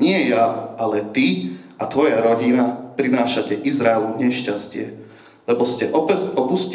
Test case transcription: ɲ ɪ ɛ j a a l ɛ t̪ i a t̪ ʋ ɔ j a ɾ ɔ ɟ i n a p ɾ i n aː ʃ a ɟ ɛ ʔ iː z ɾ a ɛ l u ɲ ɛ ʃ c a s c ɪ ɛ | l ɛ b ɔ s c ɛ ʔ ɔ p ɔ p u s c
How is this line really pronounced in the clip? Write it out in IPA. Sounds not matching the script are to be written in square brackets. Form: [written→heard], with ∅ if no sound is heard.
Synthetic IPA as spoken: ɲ ɪ ɛ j a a l ɛ t̪ i a t̪ ʋ ɔ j a ɾ ɔ ɟ i n a p ɾ i n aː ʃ a [ɟ→c] ɛ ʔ [iː→i] z ɾ a ɛ l u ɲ ɛ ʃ c a s c ɪ ɛ | l ɛ b ɔ s c ɛ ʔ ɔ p ɔ p u s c